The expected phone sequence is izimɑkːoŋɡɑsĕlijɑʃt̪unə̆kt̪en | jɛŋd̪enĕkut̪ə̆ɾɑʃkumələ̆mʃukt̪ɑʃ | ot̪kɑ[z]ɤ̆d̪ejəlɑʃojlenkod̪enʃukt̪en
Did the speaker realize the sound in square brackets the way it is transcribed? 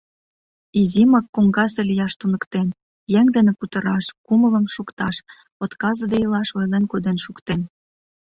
yes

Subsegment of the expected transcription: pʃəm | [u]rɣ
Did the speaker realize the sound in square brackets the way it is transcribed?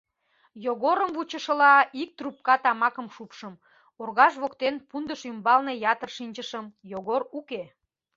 no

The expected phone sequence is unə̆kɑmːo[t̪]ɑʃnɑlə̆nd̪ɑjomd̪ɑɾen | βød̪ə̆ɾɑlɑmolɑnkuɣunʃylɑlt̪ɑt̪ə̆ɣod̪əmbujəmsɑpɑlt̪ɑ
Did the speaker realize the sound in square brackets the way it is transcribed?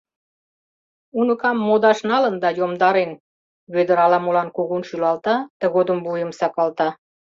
no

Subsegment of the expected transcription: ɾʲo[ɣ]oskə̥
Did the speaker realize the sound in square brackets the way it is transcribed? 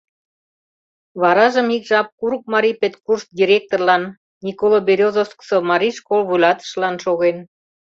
no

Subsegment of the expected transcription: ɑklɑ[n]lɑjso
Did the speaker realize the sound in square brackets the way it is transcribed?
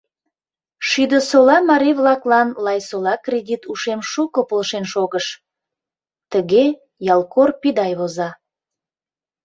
yes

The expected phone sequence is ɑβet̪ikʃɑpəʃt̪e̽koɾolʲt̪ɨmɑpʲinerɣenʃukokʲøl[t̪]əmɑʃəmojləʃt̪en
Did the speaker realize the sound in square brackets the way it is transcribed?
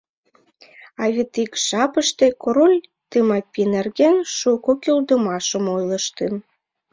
no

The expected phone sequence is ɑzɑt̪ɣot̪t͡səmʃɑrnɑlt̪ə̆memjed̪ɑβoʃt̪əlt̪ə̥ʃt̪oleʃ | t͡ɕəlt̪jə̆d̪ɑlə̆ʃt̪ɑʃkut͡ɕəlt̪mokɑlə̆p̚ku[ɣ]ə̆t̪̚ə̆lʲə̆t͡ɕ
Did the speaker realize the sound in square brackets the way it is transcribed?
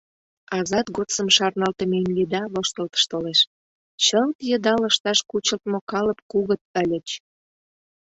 yes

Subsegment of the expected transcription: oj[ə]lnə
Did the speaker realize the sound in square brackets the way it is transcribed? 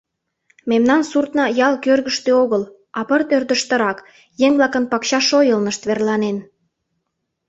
yes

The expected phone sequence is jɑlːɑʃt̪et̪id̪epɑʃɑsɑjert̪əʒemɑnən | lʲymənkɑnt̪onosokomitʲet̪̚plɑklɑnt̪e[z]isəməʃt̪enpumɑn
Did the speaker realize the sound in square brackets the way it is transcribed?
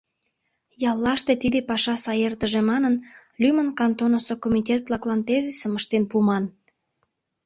yes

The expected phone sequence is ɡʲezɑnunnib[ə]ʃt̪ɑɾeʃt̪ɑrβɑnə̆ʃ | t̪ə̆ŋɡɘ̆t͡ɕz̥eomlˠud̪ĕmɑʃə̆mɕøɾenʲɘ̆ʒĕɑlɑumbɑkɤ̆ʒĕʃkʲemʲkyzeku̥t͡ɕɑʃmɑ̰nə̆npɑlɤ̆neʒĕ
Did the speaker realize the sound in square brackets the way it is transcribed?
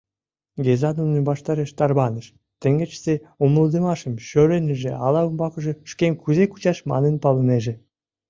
no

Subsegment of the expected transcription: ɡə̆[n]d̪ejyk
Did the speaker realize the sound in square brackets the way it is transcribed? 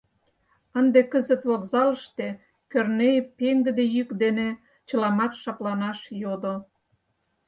no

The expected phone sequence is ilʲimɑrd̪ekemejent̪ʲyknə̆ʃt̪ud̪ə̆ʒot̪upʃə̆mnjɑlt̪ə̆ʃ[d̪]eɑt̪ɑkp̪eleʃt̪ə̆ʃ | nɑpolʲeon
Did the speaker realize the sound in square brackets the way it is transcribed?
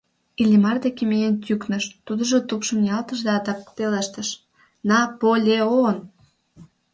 yes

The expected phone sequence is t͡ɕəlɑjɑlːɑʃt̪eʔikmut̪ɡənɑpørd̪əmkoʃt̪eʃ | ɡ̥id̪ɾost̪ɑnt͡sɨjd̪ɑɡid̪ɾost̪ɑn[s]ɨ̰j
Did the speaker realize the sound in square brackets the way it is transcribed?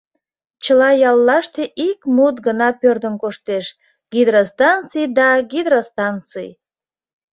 no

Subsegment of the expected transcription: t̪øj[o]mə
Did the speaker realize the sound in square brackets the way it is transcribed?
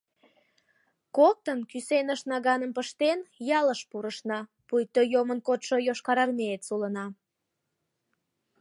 yes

